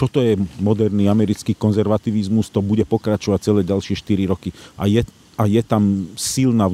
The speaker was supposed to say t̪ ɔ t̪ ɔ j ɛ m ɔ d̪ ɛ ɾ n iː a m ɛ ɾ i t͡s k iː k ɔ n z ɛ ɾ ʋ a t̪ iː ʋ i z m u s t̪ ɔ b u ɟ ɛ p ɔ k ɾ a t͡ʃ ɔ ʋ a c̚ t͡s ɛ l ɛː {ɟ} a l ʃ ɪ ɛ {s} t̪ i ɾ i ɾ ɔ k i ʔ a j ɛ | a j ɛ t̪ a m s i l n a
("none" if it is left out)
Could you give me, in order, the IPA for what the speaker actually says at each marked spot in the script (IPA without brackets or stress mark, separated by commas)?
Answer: ɟ, ʃ